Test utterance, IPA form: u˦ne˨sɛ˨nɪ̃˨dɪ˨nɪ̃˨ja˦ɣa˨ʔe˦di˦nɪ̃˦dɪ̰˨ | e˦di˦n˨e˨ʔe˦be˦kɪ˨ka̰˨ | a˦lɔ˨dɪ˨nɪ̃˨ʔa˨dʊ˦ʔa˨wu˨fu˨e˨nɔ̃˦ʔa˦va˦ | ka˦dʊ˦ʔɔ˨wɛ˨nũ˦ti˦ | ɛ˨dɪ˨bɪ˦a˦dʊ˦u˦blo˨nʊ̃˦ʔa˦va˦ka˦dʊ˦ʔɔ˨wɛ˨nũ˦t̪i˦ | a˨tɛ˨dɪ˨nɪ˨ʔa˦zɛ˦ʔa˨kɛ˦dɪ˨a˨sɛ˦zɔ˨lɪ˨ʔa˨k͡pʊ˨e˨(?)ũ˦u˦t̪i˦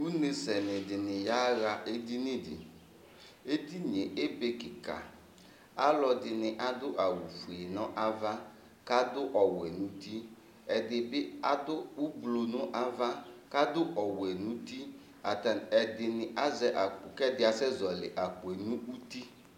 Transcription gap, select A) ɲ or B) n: B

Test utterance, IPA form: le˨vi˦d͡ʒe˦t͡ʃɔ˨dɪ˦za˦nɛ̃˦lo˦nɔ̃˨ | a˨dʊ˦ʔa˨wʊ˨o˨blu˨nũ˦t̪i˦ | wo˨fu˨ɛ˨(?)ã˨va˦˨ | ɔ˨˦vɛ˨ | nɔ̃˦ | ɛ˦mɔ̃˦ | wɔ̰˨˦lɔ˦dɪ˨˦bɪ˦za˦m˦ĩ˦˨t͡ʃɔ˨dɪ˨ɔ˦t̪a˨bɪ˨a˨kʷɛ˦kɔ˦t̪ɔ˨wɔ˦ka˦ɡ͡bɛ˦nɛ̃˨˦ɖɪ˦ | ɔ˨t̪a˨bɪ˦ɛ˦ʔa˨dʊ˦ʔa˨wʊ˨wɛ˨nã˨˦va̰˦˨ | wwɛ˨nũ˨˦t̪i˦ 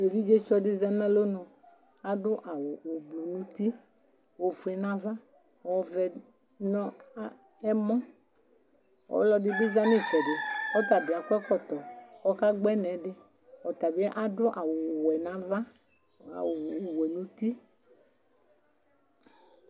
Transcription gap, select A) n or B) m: A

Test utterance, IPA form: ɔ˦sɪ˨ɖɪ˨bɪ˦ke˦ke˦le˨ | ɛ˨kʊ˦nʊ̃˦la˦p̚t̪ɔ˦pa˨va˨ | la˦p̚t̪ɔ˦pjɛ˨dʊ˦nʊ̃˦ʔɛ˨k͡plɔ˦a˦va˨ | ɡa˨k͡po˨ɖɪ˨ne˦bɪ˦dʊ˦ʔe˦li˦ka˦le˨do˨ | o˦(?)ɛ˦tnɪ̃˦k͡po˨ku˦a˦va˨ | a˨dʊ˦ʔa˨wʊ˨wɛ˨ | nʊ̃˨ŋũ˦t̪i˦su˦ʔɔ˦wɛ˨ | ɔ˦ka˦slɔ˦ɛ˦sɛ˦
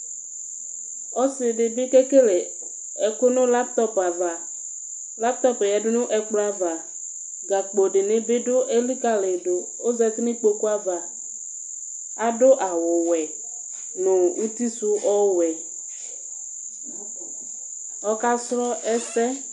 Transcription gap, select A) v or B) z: B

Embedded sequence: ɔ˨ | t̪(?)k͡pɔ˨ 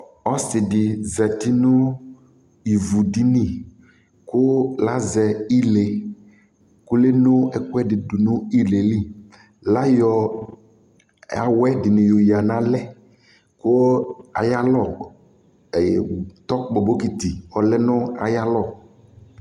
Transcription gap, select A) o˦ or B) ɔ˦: B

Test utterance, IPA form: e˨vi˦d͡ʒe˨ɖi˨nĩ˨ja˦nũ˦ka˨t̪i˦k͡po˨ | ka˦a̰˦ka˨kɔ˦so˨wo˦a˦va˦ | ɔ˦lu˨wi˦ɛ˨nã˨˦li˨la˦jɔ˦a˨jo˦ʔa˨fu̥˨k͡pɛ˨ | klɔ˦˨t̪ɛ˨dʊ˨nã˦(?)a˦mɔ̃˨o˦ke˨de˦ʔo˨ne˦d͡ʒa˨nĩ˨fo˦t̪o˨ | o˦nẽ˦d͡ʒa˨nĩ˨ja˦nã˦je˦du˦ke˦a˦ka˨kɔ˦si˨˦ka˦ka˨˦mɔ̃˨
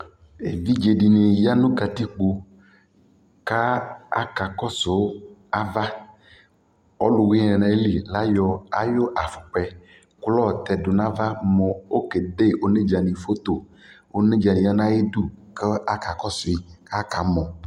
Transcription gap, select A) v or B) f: A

